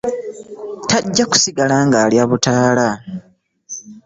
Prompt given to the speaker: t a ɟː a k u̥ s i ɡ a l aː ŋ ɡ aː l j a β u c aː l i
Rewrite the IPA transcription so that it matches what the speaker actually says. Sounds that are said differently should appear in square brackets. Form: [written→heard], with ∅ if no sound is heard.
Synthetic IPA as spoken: t a ɟː a k u̥ s i ɡ a l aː ŋ ɡ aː l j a β u [c→t] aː l [i→a]